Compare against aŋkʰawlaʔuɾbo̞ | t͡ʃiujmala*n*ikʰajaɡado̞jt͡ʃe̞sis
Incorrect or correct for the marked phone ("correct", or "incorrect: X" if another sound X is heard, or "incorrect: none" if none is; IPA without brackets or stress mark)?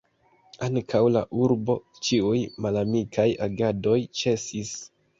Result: incorrect: m